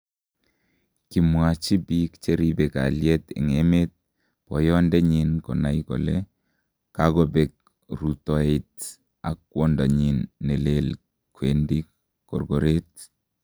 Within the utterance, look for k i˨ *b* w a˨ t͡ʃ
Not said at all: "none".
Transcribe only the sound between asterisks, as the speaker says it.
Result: m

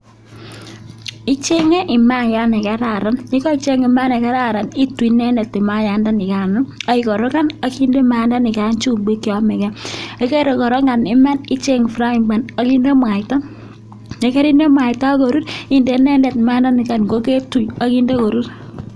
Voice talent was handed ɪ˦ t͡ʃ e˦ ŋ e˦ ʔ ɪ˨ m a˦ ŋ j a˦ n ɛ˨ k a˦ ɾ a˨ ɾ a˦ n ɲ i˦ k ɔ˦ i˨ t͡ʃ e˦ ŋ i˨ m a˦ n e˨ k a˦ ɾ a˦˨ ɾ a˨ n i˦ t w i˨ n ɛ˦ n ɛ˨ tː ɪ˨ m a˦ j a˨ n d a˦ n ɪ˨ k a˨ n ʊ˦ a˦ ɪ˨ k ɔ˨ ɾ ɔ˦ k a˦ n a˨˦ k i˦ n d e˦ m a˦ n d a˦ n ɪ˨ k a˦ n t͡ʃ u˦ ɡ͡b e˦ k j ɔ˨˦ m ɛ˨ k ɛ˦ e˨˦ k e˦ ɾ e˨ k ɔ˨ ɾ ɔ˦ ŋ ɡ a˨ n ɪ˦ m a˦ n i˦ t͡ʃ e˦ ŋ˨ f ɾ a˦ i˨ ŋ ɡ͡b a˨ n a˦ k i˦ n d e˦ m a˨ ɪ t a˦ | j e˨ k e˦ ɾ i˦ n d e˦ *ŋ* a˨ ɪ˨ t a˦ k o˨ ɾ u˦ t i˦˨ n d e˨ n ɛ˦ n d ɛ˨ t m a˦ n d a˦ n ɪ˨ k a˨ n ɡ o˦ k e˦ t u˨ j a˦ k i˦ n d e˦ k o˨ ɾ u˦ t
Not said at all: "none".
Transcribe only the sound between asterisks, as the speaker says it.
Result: m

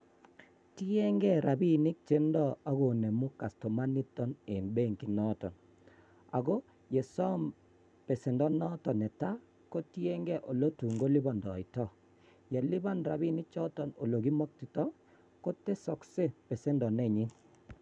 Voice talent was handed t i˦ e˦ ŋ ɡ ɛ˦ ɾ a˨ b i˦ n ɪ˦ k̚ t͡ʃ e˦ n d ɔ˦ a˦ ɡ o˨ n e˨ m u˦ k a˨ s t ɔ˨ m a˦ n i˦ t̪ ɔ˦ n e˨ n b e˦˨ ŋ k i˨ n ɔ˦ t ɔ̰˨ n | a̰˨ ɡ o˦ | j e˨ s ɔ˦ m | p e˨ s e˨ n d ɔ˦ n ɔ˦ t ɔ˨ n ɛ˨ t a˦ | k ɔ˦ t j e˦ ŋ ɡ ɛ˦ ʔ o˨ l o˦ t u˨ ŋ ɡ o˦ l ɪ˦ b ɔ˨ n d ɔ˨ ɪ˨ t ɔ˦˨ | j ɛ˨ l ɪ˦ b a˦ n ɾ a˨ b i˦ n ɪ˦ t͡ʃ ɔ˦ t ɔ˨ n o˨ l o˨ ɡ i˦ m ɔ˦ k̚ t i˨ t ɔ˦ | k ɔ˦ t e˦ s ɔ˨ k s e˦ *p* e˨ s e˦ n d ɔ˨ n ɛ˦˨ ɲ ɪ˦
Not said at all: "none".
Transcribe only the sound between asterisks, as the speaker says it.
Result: p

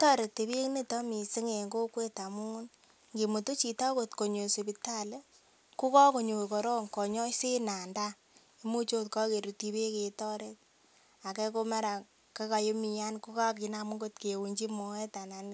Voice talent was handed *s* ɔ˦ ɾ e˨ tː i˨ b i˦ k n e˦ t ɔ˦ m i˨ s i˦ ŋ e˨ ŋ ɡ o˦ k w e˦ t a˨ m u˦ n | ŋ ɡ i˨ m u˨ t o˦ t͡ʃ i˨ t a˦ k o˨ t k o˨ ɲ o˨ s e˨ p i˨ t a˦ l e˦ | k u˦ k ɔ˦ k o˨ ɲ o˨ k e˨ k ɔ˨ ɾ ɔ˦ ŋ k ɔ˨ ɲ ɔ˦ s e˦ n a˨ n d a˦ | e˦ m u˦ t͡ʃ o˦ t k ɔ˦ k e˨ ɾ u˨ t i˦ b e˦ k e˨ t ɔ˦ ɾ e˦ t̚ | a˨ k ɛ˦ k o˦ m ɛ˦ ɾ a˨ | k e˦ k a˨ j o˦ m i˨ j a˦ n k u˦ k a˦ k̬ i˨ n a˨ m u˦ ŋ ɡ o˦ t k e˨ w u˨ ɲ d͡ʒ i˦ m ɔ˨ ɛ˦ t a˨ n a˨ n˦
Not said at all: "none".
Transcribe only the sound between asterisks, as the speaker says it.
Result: t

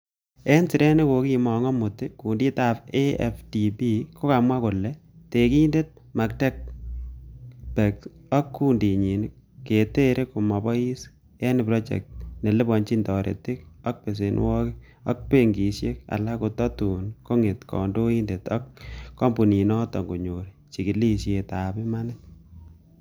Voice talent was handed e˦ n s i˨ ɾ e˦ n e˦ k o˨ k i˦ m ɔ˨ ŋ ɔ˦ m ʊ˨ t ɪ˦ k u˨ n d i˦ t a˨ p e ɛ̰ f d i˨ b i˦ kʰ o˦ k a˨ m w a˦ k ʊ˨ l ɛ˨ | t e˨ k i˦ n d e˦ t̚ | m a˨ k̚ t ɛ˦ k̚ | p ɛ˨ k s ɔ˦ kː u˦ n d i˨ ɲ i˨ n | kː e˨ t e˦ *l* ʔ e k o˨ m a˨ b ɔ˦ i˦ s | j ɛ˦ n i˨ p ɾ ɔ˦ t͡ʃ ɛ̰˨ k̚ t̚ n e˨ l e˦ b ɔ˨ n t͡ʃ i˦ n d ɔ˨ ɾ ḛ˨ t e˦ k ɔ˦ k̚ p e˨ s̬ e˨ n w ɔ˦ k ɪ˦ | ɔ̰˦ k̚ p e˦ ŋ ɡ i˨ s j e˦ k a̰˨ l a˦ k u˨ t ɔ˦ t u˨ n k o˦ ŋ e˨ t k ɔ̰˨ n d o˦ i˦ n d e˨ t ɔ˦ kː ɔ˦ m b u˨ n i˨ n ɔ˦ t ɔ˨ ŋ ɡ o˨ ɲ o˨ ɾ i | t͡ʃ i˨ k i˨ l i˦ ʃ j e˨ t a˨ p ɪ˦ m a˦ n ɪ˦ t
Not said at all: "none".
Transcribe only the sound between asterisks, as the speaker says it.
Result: ɾ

